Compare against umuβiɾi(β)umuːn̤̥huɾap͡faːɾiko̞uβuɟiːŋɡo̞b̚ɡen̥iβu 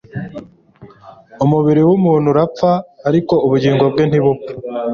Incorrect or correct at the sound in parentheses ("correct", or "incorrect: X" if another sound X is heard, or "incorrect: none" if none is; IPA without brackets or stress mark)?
incorrect: w